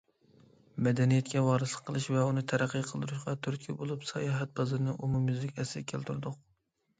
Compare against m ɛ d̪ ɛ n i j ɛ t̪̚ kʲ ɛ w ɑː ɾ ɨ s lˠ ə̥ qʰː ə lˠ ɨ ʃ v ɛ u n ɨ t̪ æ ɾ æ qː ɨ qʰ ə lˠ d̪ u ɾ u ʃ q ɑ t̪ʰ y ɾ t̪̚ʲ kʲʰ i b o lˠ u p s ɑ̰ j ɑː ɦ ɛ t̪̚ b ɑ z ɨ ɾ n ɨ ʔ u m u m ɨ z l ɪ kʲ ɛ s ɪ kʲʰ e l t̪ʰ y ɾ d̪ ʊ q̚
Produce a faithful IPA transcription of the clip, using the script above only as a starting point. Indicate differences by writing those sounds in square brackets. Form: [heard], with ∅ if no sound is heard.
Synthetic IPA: m ɛ d̪ ɛ n i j ɛ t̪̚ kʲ ɛ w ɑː ɾ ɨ s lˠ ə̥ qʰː ə lˠ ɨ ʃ v ɛ u n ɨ [t̪ʰ] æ ɾ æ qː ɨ qʰ ə lˠ d̪ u ɾ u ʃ q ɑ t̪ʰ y ɾ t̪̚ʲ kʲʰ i b o lˠ u p s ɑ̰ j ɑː ɦ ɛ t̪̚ b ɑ z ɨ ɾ n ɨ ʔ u m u m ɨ z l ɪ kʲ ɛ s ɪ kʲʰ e l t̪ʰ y ɾ d̪ ʊ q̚